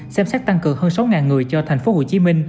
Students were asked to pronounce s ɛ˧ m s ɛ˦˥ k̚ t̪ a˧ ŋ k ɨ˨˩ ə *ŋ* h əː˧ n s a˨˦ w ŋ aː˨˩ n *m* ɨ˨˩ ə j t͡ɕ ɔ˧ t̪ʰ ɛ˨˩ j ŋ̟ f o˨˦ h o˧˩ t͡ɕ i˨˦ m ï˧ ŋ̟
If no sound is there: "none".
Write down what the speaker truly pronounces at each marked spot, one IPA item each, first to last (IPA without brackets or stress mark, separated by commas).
ŋ, ŋ